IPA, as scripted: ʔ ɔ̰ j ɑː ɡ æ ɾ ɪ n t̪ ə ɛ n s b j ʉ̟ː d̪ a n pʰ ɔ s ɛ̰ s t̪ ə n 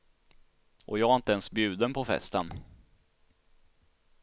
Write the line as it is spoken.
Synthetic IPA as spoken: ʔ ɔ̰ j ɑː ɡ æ ɾ ɪ n t̪ ə ɛ n s b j ʉ̟ː d̪ ə n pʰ ɔ f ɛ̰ s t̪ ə n